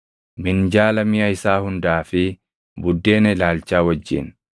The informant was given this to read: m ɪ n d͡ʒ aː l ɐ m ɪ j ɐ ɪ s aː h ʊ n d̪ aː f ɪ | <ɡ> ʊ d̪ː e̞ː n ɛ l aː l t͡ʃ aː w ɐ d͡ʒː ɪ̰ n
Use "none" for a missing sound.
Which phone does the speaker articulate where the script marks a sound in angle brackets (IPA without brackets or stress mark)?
b